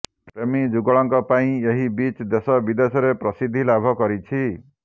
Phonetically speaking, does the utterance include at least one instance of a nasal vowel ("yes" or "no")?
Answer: yes